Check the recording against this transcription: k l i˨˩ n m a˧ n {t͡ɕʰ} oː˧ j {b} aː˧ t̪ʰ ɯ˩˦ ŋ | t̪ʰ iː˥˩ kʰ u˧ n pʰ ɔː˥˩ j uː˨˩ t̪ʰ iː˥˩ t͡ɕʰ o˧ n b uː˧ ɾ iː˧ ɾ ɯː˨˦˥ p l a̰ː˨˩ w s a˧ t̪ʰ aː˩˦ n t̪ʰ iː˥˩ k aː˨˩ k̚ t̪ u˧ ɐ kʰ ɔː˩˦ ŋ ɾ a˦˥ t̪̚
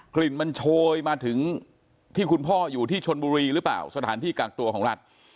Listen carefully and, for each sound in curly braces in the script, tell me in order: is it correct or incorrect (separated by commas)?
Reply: correct, incorrect